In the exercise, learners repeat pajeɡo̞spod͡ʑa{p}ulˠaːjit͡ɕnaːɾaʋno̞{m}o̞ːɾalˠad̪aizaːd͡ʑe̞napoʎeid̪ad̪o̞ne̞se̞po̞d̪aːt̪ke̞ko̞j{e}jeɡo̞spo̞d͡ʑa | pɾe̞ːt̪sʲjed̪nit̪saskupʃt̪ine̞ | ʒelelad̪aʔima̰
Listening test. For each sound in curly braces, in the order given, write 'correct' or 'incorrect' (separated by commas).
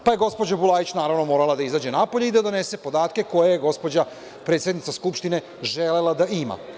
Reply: incorrect, correct, correct